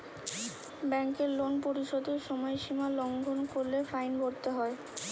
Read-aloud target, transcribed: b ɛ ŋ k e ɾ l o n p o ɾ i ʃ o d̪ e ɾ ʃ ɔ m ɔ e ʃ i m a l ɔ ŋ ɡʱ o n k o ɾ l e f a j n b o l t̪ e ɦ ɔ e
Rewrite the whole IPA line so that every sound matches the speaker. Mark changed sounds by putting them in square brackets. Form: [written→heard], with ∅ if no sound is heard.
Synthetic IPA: b ɛ ŋ k e ɾ l o n p o ɾ i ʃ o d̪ e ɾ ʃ ɔ m ɔ e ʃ i m a l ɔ ŋ ɡʱ o n k o ɾ l e f a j n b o [l→ɾ] t̪ e ɦ ɔ e